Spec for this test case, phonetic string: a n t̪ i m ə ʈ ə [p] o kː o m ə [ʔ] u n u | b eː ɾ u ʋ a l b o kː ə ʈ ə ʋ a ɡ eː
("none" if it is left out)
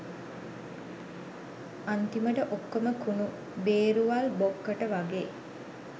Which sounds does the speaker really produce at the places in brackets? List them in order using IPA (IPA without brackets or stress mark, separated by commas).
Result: ʔ, k